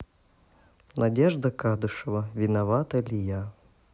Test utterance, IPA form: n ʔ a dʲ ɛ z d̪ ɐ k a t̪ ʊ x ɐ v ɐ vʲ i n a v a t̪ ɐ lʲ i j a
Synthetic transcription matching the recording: n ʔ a dʲ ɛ ʐ d̪ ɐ k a d̪ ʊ ʂ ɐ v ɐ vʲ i n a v a t̪ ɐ lʲ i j a